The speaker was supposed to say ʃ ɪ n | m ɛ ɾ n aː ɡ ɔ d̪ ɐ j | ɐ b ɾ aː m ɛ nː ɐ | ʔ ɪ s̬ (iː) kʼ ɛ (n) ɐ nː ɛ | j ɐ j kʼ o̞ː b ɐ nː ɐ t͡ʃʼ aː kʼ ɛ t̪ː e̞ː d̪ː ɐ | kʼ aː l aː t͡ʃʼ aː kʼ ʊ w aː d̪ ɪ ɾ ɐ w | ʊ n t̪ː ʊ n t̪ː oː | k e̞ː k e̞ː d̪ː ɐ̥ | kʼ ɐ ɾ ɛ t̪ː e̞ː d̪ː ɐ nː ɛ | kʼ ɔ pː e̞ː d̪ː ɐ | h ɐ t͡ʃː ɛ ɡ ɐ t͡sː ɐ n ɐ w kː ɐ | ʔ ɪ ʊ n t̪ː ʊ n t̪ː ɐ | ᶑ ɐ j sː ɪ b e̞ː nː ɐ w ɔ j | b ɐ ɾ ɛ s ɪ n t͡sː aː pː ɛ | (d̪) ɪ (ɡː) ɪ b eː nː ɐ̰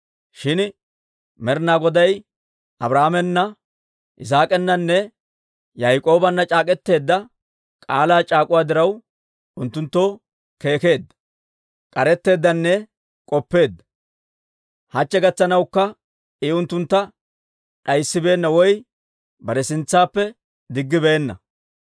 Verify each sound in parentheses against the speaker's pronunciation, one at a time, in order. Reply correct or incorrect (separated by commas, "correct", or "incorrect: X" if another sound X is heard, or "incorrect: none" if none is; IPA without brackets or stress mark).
incorrect: aː, incorrect: nː, correct, correct